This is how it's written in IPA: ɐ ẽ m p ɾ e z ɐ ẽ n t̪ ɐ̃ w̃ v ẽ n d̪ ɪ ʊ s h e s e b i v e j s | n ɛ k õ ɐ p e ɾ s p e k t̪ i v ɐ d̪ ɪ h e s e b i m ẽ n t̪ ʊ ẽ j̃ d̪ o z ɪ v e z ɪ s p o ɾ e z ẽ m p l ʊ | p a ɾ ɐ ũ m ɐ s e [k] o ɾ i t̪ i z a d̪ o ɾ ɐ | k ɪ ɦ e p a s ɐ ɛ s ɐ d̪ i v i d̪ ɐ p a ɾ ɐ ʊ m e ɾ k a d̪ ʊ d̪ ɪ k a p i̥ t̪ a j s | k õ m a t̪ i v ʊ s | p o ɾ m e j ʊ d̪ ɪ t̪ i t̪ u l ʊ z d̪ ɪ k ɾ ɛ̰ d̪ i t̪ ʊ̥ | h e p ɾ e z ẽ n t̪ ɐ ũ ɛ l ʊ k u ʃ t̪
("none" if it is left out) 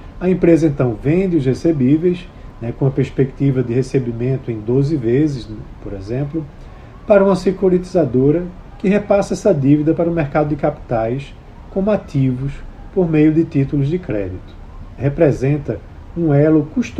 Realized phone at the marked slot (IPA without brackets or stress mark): k